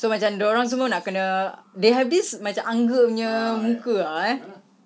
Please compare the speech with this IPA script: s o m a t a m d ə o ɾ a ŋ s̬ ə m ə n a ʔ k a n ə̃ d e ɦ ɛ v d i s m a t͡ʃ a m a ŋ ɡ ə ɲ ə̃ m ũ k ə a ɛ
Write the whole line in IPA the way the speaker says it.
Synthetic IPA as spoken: s o m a t͡ʃ a m d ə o ɾ a ŋ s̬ ə m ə n a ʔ k ə n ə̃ d e ɦ ɛ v d i s m a t͡ʃ a m a ŋ ɡ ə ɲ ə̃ m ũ k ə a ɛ